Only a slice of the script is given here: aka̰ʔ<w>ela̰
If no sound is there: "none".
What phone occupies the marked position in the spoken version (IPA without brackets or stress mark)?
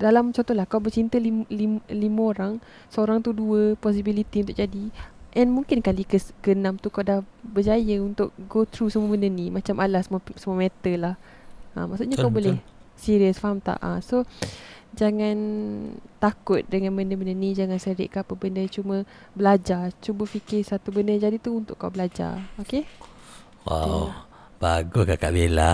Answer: b